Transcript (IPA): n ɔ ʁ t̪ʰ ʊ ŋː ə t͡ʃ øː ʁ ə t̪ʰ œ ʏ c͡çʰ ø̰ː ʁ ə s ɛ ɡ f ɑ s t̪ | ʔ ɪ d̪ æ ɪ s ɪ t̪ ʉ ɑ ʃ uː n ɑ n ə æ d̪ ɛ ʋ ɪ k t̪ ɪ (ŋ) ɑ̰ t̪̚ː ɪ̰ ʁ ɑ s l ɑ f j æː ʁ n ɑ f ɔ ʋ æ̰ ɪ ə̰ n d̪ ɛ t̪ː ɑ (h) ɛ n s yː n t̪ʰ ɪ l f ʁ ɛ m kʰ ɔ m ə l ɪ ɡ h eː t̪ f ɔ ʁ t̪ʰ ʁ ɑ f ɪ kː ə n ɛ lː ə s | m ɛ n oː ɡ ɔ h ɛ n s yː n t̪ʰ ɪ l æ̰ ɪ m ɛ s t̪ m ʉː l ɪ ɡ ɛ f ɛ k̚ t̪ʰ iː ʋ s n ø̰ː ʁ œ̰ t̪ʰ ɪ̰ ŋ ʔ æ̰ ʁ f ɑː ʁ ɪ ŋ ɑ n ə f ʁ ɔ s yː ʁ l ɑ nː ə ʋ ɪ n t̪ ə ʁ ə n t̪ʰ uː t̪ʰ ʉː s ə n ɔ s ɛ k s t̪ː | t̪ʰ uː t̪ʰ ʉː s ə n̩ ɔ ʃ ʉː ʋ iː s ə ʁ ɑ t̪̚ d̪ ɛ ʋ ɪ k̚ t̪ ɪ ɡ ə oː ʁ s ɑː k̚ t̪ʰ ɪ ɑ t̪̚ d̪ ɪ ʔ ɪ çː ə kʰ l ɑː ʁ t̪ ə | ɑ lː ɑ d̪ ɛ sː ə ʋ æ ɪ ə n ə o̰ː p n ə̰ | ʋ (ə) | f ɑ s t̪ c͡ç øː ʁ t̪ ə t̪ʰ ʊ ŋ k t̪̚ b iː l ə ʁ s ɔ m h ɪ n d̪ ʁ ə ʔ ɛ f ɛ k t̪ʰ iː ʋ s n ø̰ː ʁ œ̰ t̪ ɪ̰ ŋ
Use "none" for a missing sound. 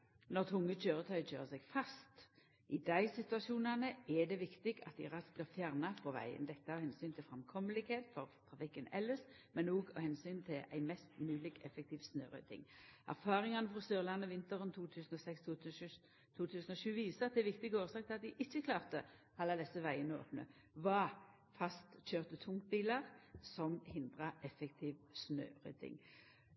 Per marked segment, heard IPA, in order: ɡ, h, ɑ

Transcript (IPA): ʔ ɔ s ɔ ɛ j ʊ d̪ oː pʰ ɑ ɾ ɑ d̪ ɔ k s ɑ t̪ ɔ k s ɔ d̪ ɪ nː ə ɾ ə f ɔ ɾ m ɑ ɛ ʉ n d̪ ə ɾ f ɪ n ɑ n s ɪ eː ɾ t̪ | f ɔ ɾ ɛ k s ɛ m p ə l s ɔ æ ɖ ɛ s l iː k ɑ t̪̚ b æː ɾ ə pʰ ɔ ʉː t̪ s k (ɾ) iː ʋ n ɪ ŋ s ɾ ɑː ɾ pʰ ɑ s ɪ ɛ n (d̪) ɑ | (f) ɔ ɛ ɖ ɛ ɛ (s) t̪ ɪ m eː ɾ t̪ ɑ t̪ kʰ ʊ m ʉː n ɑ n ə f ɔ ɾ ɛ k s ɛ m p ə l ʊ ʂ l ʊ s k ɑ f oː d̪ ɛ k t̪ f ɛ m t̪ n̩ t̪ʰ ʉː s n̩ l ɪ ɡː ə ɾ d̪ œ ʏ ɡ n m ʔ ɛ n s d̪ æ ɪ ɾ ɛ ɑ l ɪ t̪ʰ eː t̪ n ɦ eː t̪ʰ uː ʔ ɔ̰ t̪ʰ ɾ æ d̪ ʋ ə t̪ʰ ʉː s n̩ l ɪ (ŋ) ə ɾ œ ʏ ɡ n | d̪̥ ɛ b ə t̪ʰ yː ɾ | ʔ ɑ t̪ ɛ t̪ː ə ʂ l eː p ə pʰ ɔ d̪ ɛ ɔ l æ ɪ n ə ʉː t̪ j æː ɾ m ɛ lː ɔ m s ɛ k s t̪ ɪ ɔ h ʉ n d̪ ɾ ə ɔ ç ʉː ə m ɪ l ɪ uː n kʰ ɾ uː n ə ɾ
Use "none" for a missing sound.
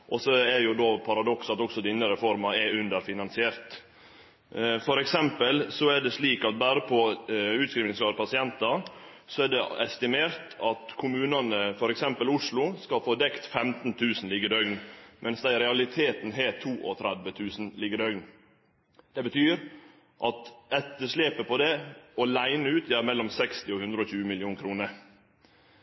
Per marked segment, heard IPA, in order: ɾ, t̪, s, s, ɡ

